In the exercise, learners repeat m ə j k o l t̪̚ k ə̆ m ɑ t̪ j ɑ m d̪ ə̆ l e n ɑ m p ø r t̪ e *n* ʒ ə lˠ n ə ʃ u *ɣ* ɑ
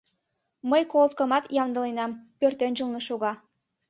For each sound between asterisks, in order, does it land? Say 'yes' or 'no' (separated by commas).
yes, yes